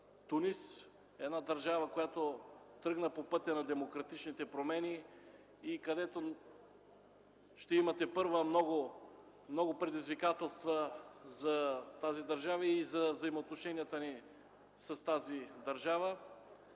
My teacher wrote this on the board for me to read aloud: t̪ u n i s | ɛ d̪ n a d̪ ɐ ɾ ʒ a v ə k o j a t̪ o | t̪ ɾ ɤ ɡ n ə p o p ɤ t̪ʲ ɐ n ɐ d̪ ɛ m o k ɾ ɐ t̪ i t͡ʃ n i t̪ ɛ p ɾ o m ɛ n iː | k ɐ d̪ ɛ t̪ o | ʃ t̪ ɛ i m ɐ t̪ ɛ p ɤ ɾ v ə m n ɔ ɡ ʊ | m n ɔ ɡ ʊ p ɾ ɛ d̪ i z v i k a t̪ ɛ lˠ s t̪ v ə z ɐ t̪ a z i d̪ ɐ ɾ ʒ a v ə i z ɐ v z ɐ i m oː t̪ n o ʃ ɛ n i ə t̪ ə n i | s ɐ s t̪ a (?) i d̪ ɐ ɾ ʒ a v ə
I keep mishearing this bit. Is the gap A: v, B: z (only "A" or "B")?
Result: B